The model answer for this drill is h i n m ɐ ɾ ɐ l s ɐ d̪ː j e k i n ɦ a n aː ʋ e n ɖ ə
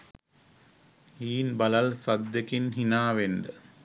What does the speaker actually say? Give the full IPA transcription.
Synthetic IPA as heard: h iː n b ɐ l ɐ l s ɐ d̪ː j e k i n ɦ i n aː ʋ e n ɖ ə